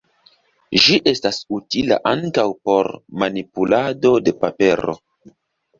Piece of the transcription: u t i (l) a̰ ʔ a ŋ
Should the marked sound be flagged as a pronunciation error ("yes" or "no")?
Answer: no